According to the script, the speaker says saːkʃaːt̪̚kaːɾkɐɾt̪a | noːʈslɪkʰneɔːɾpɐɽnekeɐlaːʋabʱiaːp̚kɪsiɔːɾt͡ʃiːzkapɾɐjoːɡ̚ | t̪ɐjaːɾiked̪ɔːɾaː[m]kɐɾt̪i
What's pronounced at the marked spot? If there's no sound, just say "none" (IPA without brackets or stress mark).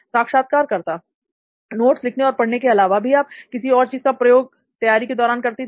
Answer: n